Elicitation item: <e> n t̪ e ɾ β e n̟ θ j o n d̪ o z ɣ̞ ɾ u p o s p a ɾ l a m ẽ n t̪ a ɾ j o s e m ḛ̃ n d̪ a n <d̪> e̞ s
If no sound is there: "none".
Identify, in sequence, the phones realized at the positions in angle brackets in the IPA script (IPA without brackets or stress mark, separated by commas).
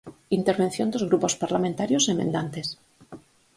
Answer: i, t̪